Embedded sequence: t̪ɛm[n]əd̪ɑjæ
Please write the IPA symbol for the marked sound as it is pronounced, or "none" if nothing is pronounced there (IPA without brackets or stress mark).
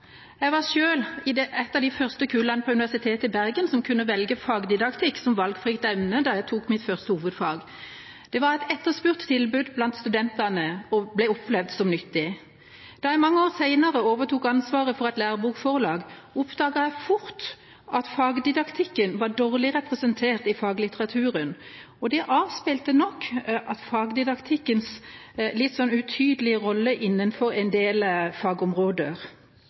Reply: n